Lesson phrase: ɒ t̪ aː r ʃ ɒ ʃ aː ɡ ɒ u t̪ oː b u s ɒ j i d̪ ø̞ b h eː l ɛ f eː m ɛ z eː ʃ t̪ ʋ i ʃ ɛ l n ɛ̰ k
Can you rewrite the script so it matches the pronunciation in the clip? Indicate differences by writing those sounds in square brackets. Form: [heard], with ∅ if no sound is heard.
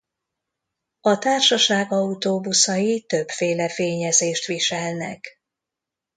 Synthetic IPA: ɒ t̪ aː r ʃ ɒ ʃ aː ɡ ɒ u t̪ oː b u s ɒ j i [t̪] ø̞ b [f] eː l ɛ f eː [ɲ] ɛ z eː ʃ t̪ ʋ i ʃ ɛ l n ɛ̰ k